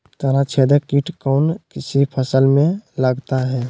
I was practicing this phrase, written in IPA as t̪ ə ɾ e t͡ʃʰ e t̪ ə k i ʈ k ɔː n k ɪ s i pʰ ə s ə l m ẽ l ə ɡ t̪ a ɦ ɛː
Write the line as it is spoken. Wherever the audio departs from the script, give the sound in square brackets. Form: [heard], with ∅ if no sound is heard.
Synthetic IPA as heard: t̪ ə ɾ [a] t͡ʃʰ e [d̪] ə k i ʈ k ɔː n k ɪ s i pʰ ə s ə l m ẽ l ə ɡ t̪ a ɦ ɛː

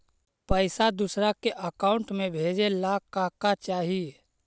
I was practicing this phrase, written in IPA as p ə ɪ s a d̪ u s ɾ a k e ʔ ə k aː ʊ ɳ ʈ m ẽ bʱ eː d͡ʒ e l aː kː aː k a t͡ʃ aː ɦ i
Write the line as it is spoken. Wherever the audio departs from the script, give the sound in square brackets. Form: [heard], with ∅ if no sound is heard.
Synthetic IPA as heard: p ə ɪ s a d̪ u s ɾ a k e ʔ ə k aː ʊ ɳ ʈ m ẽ bʱ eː d͡ʒ e l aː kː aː k a t͡ʃ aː ɦ i

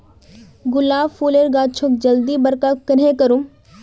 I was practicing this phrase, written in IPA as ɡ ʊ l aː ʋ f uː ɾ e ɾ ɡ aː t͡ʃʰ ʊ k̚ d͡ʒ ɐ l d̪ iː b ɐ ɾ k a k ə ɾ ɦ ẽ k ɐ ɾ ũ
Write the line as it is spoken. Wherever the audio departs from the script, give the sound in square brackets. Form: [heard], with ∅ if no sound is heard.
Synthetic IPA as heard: ɡ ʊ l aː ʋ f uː [l] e ɾ ɡ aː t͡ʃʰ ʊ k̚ d͡ʒ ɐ l d̪ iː b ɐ ɾ k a k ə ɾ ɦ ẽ k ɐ ɾ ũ

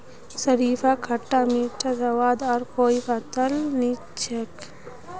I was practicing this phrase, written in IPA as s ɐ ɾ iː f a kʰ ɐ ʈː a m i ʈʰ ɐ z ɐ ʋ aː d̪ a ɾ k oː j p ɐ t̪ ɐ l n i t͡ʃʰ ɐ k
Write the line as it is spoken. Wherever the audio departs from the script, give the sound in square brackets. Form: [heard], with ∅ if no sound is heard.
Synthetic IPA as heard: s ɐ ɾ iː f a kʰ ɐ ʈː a m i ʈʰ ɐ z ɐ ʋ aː d̪ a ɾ k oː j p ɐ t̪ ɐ l n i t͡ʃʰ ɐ k

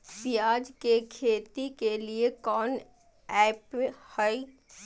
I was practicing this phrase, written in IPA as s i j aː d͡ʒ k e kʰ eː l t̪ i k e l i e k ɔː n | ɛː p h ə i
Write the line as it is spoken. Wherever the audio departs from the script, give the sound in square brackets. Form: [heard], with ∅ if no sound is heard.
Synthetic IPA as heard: s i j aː d͡ʒ k e kʰ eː [∅] t̪ i k e l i e k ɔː n | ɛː p h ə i

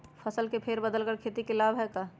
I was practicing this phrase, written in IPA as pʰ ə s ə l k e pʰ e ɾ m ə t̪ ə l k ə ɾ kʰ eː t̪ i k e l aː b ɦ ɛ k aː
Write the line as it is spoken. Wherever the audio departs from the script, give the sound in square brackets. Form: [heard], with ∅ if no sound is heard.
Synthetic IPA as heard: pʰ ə s ə l k e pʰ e ɾ [b] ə [d̪] ə l k ə ɾ kʰ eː t̪ i k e l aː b ɦ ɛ k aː

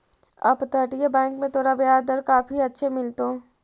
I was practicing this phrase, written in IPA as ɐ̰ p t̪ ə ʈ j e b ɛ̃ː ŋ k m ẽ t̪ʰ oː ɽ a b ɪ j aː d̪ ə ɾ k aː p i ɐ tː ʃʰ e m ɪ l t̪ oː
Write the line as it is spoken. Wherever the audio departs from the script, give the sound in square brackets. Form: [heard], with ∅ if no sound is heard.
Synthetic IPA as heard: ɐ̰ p t̪ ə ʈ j e b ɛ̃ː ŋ k m ẽ t̪ʰ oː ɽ a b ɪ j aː d̪ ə ɾ k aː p i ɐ tː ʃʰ e m ɪ l t̪ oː

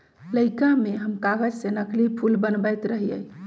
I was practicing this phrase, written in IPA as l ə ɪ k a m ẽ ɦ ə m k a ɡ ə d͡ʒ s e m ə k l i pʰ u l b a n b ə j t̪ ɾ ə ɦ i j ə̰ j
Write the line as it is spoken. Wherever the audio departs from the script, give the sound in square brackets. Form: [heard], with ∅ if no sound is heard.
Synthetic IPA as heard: l ə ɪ k a m [e] ɦ ə m k a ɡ ə d͡ʒ s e [n] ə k l i pʰ u l b [ə] n b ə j t̪ ɾ ə ɦ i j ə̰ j

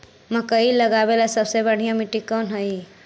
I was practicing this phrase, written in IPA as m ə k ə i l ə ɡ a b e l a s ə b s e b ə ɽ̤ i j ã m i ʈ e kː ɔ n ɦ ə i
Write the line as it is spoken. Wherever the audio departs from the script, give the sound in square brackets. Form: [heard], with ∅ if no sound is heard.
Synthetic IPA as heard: m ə k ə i l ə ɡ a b e l a s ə b s e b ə ɽ̤ i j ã m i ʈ [i] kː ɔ n ɦ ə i

